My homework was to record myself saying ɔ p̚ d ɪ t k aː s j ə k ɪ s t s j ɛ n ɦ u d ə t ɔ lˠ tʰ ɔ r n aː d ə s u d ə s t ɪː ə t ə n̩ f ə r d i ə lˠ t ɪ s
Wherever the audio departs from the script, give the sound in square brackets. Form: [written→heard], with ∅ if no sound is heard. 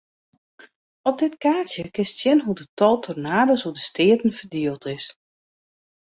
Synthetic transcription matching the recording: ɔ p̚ d ɪ t k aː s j ə k ɪ s t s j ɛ n ɦ u d ə t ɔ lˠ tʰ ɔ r n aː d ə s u d ə s t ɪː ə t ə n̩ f ə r d i ə lˠ t ɪ s